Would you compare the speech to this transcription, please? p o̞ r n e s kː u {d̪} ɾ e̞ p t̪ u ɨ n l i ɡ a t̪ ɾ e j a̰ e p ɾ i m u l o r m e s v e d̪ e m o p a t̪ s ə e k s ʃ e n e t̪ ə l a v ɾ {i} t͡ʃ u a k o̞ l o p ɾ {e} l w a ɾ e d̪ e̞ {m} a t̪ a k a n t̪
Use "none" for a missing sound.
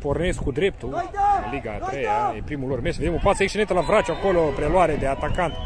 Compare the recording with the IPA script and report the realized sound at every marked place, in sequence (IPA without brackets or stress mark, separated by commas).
d̪, a, e, none